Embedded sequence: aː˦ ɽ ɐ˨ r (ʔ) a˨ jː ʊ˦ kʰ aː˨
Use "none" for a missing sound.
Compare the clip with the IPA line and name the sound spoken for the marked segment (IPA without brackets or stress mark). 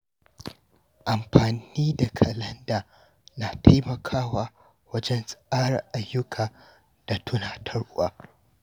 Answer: ʔ